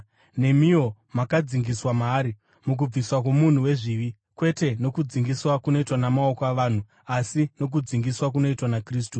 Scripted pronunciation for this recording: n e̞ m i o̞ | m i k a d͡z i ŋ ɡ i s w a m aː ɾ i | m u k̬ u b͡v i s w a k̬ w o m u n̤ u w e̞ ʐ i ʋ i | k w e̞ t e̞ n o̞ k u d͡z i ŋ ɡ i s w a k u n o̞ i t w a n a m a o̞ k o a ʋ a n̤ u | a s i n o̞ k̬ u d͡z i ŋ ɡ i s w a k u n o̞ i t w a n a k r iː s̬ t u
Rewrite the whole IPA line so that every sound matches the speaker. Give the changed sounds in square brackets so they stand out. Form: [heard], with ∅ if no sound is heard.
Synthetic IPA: n e̞ m i o̞ | m [a] k a d͡z i ŋ ɡ i s w a m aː ɾ i | m u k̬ u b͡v i s w a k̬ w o m u n̤ u w e̞ ʐ i ʋ i | k w e̞ t e̞ n o̞ k u d͡z i ŋ ɡ i s w a k u n o̞ i t w a n a m a o̞ k o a ʋ a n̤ u | a s i n o̞ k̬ u d͡z i ŋ ɡ i s w a k u n o̞ i t w a n a k r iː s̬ t u